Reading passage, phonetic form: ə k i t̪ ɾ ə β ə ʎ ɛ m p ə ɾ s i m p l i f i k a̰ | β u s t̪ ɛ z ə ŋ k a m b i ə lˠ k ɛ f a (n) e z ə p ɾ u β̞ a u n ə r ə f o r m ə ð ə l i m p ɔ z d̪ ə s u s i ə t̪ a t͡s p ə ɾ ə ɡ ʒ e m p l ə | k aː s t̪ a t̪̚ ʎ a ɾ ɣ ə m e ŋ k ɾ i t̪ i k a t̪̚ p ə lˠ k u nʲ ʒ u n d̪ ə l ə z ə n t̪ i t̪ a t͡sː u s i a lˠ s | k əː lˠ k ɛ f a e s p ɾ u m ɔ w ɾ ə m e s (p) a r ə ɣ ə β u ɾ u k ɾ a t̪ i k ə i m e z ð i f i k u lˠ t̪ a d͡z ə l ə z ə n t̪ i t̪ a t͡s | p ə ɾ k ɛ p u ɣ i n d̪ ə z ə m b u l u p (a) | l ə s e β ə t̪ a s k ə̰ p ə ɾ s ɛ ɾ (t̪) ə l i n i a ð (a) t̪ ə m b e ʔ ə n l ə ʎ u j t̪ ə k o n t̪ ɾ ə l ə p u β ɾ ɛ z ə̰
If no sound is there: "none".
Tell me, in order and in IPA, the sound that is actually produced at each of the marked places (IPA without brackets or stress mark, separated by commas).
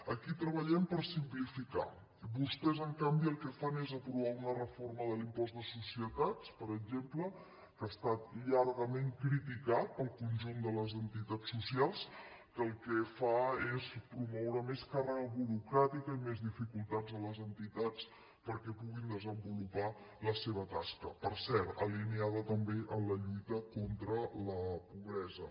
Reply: n, k, a, t̪, ə